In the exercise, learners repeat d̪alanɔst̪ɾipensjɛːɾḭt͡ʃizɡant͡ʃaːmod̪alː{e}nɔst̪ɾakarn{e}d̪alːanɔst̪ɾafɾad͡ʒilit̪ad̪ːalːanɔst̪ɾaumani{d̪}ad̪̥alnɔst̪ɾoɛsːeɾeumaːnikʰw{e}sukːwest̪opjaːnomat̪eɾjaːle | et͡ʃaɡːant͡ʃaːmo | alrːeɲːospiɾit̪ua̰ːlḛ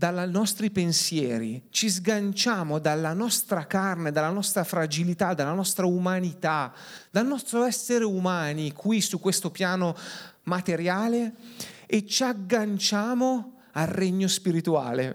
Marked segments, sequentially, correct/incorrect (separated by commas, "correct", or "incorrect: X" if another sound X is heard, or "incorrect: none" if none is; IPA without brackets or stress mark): incorrect: a, correct, incorrect: t̪, incorrect: i